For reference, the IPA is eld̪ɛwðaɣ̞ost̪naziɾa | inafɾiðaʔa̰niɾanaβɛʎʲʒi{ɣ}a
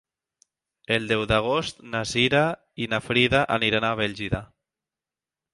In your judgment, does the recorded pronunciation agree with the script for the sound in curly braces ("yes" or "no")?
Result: no